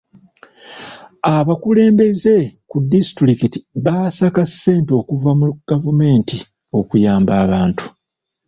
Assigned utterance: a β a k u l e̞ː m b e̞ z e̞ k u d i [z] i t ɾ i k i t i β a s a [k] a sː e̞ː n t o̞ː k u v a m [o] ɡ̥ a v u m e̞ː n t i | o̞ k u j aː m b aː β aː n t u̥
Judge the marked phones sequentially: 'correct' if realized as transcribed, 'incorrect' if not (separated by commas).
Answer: incorrect, correct, incorrect